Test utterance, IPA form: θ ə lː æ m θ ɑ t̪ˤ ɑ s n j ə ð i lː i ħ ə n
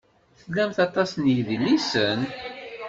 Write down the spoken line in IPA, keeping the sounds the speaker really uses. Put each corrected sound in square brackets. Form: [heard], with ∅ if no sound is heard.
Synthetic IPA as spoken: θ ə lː æ m θ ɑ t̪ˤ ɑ s n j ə ð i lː i [s] ə n